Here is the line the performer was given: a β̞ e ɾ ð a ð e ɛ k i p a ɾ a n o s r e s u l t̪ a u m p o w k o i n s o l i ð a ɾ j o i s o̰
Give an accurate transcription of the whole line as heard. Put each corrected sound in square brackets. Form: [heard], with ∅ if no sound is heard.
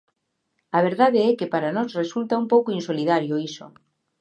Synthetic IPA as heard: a β̞ e ɾ ð a ð e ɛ k [e] p a ɾ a n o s r e s u l t̪ a u m p o w k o i n s o l i ð a ɾ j o i s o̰